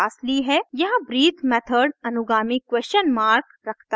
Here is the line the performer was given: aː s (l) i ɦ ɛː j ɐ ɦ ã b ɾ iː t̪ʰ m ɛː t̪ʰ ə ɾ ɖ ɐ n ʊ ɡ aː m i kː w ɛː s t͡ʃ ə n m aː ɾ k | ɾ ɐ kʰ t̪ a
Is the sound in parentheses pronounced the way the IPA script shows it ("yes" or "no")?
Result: yes